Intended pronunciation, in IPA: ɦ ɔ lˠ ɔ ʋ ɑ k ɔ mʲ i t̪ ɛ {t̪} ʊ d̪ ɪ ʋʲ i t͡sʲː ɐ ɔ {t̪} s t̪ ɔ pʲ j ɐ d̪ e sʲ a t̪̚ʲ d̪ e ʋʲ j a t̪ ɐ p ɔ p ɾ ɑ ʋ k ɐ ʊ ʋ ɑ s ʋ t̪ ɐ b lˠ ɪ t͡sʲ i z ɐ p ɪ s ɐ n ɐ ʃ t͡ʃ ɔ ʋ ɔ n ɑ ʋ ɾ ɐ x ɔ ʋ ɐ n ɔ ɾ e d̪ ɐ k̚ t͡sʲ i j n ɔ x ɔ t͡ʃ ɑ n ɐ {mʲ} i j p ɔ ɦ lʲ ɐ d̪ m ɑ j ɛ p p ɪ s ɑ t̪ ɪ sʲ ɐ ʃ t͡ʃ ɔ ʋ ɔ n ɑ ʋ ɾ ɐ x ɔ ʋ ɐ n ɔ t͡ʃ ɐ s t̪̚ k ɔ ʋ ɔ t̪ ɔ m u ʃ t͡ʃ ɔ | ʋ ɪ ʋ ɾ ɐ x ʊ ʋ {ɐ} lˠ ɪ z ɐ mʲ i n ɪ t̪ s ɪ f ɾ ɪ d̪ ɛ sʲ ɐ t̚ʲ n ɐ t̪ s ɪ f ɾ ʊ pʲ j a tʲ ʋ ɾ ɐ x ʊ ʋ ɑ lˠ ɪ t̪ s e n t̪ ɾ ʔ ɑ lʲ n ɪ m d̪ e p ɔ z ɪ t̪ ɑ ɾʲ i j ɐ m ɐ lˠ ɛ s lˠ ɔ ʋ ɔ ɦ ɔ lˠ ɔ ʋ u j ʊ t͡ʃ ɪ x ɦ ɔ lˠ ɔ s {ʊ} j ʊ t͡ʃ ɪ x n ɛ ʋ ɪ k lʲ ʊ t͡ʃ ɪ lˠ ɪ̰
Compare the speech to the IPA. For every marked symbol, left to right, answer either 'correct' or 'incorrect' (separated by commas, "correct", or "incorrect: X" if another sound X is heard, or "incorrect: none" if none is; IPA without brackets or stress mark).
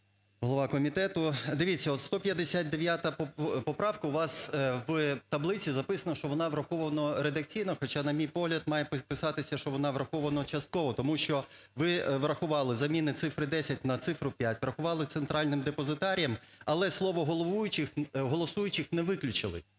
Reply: correct, correct, correct, incorrect: ɑ, incorrect: u